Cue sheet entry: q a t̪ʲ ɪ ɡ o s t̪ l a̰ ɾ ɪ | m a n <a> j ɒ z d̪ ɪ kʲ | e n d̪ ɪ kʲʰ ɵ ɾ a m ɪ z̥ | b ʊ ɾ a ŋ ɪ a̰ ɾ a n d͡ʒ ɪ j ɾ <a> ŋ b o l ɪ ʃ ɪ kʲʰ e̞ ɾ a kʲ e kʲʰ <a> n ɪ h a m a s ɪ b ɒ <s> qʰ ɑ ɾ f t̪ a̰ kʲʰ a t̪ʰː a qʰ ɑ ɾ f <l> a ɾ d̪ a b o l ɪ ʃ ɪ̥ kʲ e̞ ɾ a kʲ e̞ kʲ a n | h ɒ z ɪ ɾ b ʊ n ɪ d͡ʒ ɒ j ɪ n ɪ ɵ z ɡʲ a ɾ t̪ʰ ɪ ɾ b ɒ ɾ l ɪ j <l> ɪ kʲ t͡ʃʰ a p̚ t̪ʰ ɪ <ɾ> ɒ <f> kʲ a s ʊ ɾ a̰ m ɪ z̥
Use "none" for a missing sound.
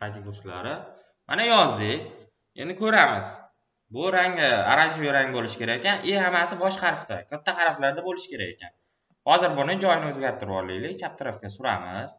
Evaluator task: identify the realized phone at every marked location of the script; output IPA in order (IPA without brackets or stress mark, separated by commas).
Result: a, a, a, ʃ, l, l, ɾ, f